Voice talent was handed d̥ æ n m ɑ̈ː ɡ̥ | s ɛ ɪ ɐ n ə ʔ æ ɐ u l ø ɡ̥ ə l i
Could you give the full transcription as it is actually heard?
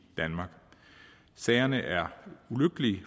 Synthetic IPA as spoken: d̥ æ n m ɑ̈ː ɡ̥ | s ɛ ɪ ɐ n ə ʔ æ ɐ u l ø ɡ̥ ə l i